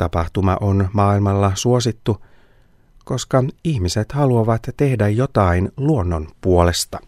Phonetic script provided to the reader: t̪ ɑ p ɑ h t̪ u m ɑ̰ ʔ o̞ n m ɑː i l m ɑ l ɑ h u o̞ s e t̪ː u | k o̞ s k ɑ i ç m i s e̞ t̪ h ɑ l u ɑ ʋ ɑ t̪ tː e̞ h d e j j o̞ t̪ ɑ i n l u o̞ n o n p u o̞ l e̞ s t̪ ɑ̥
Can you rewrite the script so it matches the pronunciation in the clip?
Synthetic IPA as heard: t̪ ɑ p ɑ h t̪ u m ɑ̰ ʔ o̞ n m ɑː i l m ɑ lː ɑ s u o̞ s i t̪ː u | k o̞ s k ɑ i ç m i s e̞ t̪ h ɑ l u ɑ ʋ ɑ t̪ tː e̞ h d æ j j o̞ t̪ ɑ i n l u o̞ nː o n p u o̞ l e̞ s t̪ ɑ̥